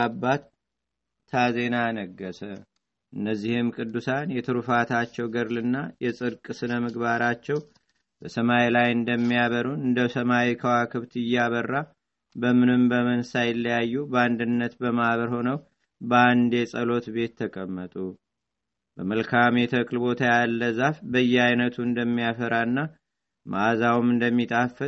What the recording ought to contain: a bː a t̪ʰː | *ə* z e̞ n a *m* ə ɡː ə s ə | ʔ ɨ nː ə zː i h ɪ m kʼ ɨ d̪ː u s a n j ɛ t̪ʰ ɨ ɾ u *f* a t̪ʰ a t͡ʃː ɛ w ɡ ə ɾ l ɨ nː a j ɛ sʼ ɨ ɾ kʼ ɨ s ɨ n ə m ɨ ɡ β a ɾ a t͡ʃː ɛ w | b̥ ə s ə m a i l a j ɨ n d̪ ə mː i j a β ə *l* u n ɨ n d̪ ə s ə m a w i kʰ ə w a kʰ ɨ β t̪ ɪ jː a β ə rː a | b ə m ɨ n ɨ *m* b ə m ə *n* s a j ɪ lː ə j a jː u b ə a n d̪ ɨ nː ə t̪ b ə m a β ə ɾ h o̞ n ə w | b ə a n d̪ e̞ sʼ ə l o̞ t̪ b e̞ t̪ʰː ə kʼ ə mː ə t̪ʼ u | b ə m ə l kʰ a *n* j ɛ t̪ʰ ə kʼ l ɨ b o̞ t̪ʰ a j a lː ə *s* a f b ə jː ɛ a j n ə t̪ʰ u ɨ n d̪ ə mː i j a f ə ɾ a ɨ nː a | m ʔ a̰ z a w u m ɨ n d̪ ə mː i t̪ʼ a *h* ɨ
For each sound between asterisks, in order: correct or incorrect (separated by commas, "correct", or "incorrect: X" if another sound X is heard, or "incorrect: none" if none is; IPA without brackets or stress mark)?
incorrect: a, incorrect: n, correct, incorrect: ɾ, correct, correct, incorrect: m, incorrect: z, incorrect: f